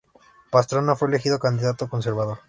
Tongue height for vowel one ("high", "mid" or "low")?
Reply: low